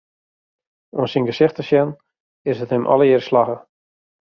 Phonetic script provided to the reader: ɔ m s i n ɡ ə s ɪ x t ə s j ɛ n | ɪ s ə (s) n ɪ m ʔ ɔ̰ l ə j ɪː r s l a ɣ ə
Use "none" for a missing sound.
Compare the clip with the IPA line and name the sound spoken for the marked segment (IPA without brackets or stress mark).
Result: t